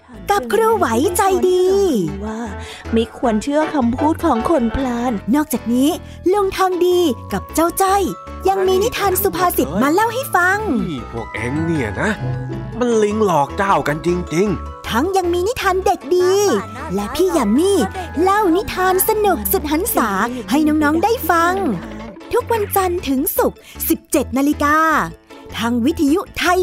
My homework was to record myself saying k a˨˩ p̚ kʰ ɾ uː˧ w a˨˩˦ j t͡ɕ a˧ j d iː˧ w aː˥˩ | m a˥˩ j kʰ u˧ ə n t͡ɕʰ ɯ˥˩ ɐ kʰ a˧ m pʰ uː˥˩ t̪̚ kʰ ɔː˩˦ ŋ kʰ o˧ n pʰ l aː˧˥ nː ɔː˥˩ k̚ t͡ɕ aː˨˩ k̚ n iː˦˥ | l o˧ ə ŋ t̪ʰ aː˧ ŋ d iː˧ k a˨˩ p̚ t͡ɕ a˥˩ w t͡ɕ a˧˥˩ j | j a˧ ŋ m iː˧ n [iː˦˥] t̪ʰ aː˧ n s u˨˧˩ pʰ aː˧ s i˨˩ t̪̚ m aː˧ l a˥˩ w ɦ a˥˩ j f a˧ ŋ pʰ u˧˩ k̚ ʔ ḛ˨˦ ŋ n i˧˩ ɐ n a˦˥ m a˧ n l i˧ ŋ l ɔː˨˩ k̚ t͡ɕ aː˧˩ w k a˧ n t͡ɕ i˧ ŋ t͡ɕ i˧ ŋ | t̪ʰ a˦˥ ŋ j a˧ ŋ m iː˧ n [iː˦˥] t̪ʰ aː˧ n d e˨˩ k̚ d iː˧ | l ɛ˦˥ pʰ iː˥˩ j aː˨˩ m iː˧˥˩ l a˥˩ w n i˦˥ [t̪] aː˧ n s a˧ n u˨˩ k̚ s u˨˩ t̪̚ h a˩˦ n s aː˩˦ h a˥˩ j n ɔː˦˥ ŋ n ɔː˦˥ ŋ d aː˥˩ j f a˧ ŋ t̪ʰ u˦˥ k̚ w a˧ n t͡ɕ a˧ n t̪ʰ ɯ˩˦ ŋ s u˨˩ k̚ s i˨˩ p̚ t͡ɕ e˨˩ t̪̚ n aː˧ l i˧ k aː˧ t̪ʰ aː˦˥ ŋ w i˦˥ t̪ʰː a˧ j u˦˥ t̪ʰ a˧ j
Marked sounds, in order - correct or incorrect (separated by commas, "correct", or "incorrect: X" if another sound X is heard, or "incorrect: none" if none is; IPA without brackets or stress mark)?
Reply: incorrect: i˦˥, incorrect: i˦˥, incorrect: t̪ʰ